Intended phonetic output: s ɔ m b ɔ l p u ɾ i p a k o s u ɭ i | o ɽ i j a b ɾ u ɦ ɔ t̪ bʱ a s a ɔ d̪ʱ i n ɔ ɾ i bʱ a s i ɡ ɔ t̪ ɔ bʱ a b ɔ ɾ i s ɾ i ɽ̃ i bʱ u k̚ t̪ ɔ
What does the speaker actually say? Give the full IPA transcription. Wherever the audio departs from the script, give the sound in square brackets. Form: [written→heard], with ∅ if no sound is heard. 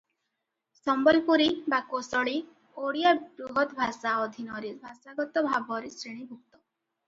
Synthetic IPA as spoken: s ɔ m b ɔ l p u ɾ i [p→b] a k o s [u→ɔ] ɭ i | o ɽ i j a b ɾ u ɦ ɔ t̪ bʱ a s a ɔ d̪ʱ i n ɔ ɾ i bʱ a s [i→a] ɡ ɔ t̪ ɔ bʱ a b ɔ ɾ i s ɾ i ɽ̃ i bʱ u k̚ t̪ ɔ

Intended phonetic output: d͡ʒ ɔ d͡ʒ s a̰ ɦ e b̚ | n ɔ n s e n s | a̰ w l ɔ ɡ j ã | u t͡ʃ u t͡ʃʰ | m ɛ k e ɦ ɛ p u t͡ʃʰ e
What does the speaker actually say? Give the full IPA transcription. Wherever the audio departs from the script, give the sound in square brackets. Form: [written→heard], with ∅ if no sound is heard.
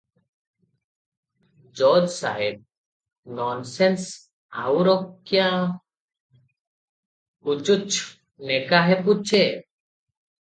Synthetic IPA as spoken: d͡ʒ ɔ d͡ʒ s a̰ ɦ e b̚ | n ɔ n s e n s | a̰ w [l→ɾ] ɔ [ɡ→k] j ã | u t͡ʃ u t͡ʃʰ | [m→n] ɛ k [e→a] ɦ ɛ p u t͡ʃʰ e

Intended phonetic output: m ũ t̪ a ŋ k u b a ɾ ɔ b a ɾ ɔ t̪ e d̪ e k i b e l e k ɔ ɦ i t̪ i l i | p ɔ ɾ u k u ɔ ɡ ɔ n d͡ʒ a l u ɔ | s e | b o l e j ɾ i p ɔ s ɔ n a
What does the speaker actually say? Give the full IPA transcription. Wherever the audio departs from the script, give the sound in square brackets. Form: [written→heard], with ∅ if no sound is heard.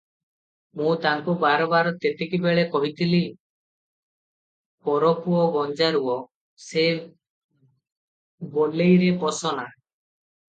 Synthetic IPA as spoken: m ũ t̪ a ŋ k u b a ɾ ɔ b a ɾ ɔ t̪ e [d̪→t̪] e k i b e [l→ɭ] e k ɔ ɦ i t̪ i l i | p ɔ ɾ [u→ɔ] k u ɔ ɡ ɔ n d͡ʒ a [l→ɾ] u ɔ | s e | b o l e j ɾ [i→e] p ɔ s ɔ n a

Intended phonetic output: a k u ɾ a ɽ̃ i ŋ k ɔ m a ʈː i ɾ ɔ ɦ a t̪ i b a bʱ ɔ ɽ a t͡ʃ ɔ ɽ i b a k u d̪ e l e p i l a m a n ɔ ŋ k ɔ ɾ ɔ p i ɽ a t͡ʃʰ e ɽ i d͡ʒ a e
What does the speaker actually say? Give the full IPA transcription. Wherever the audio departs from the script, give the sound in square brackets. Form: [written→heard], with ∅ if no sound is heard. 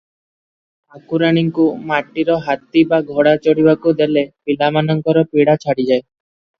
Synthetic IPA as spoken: a k u ɾ a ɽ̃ i ŋ k [ɔ→u] m a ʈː i ɾ ɔ ɦ a t̪ i b a [bʱ→ɡʱ] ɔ ɽ a t͡ʃ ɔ ɽ i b a k u d̪ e l e p i l a m a n ɔ ŋ k ɔ ɾ ɔ p i ɽ a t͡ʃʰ [e→a] ɽ i d͡ʒ a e

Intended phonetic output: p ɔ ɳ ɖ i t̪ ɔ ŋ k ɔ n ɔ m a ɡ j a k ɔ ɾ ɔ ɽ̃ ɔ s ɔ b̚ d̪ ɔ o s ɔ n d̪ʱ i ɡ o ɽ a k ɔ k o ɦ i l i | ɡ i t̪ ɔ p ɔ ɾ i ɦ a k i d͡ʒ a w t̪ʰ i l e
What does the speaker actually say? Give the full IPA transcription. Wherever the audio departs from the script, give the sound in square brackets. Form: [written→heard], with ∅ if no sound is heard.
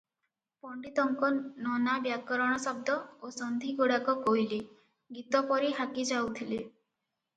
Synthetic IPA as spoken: p ɔ ɳ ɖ i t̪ ɔ ŋ k ɔ n ɔ [m→n] a [ɡ→b] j a k ɔ ɾ ɔ ɽ̃ ɔ s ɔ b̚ d̪ ɔ o s ɔ n d̪ʱ i ɡ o ɽ a k ɔ k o ɦ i l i | ɡ i t̪ ɔ p ɔ ɾ i ɦ a k i d͡ʒ a w t̪ʰ i l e

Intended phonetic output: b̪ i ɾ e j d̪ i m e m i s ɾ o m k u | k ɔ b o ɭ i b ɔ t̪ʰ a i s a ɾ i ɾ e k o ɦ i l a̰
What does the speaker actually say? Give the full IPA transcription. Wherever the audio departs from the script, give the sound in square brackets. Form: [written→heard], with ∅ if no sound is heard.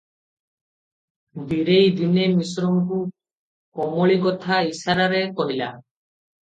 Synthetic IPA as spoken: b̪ i ɾ e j d̪ i [m→n] e m i s ɾ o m k u | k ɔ [b→m] o ɭ i [b→ɡ] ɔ t̪ʰ a i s a ɾ [i→a] ɾ e k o ɦ i l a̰

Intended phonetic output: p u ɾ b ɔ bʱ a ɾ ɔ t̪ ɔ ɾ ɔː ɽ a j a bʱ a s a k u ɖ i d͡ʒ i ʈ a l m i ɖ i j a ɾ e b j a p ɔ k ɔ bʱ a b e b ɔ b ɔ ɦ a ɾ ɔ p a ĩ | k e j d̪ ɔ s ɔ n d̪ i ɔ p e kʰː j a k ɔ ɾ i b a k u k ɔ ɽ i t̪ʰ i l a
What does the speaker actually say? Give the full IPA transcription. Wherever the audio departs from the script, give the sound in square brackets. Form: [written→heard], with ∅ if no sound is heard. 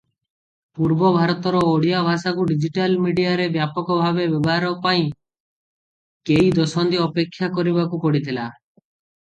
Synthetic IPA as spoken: p u ɾ b ɔ bʱ a ɾ ɔ t̪ ɔ ɾ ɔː ɽ [a→i] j a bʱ a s a k u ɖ i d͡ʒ i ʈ a l m i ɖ i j a ɾ e b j a p ɔ k ɔ bʱ a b e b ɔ b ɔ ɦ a ɾ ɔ p a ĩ | k e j d̪ ɔ s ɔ n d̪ i ɔ p e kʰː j a k ɔ ɾ i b a k u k ɔ ɽ i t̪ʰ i l a

